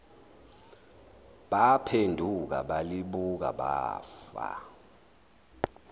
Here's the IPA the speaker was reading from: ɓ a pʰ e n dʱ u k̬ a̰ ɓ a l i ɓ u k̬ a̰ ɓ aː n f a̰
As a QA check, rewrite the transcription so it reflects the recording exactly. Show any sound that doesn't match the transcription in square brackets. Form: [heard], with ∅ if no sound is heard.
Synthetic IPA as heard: ɓ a pʰ e n dʱ u k̬ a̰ ɓ a l i ɓ u k̬ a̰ ɓ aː [∅] f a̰